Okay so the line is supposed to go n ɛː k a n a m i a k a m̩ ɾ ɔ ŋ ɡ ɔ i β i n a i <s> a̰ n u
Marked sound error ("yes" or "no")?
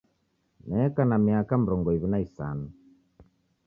no